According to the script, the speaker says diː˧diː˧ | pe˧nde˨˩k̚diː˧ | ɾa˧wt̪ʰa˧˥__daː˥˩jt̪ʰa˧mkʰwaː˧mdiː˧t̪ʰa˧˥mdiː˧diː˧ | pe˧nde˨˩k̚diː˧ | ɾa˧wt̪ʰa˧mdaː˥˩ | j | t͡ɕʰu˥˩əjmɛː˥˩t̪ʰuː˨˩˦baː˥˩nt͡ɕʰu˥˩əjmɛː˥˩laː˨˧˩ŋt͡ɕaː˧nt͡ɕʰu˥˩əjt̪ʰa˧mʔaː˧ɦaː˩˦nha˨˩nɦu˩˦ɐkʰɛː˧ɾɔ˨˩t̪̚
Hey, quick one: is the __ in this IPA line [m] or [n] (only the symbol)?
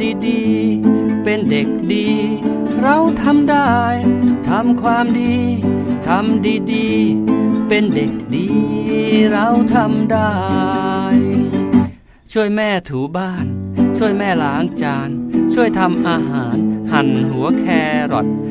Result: m